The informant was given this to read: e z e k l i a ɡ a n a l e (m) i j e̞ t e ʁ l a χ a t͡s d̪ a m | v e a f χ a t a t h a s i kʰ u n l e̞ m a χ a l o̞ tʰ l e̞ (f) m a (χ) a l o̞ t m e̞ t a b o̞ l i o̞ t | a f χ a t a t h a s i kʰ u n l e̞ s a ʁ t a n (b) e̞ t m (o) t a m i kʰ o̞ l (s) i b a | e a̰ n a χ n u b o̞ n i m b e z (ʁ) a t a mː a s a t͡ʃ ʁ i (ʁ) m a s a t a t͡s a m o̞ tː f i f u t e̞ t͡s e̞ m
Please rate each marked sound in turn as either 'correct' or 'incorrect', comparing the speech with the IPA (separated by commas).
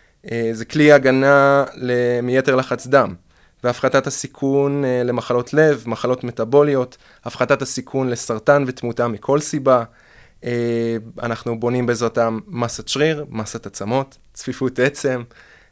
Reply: correct, incorrect, correct, incorrect, incorrect, correct, correct, correct